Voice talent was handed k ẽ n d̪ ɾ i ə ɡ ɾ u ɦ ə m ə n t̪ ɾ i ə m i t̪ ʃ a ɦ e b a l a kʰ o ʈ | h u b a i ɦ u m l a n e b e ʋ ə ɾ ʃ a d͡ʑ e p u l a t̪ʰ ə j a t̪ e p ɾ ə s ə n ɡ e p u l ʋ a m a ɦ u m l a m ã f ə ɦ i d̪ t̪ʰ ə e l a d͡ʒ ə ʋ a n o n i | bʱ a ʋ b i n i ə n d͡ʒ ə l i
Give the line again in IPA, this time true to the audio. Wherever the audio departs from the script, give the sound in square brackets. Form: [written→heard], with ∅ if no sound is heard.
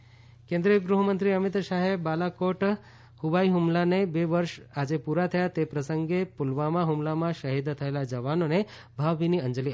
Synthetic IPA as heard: k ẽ n d̪ ɾ i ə ɡ ɾ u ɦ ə m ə n t̪ ɾ i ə m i t̪ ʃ a ɦ e b a l a [kʰ→k] o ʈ | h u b a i ɦ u m l a n e b e ʋ ə ɾ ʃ a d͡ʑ e p u [l→ɾ] a t̪ʰ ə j a t̪ e p ɾ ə s ə [n→ŋ] ɡ e p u l ʋ a m a ɦ u m l a m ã [f→ʃ] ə ɦ i d̪ t̪ʰ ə e l a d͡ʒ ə ʋ a n o n [i→e] | bʱ a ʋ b i n i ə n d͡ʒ ə l i